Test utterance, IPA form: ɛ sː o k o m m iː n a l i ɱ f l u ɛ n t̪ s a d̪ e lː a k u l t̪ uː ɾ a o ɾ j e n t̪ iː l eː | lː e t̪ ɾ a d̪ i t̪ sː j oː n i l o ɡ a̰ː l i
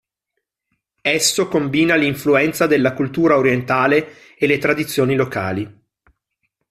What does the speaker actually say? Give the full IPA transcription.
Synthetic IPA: ɛ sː o k o m b iː n a l i ɱ f l u ɛ n t̪ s a d̪ e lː a k u l t̪ uː ɾ a o ɾ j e n t̪ aː l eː | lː e t̪ ɾ a d̪ i t̪ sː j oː n i l o k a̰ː l i